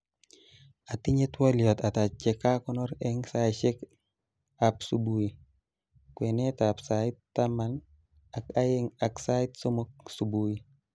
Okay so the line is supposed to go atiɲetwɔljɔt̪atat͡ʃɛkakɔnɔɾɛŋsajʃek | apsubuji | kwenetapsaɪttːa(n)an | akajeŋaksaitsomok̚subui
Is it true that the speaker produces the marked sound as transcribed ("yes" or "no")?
no